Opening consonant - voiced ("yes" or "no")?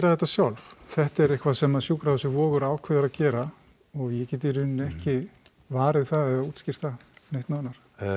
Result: yes